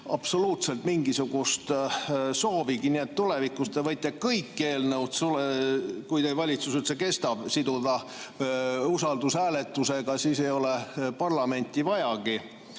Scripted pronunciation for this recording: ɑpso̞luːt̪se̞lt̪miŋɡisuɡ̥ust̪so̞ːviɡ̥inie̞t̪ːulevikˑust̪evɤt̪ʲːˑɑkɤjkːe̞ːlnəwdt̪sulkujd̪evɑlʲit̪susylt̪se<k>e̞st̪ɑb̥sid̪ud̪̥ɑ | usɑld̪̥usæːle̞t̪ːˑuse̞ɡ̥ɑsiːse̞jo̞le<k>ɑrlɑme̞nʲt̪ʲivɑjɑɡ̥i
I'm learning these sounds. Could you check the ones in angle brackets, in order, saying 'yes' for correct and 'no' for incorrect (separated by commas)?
yes, no